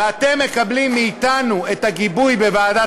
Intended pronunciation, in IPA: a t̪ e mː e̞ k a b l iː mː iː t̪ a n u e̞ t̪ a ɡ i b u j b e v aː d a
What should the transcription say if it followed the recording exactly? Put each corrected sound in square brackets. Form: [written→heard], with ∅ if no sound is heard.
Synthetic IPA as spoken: a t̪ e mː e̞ k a b l [iː→i] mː iː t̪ a n u e̞ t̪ a ɡ i b u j b e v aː d a